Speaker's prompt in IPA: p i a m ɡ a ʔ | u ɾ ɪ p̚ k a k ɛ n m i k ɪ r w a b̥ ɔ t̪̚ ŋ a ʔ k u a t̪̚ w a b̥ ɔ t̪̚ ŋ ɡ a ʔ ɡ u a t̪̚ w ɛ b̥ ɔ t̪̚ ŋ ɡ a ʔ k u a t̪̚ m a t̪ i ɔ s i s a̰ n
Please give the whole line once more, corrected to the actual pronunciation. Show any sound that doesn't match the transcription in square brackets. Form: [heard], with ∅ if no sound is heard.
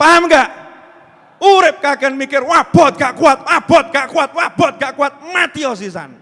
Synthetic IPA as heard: p [a] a m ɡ a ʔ | u ɾ ɪ p̚ k a k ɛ n m i k ɪ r w a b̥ ɔ t̪̚ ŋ a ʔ k u a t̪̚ w a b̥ ɔ t̪̚ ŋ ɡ a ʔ [k] u a t̪̚ w [a] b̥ ɔ t̪̚ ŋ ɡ a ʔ k u a t̪̚ m a t̪ i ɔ s i s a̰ n